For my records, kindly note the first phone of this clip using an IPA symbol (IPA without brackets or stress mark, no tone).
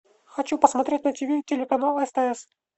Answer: x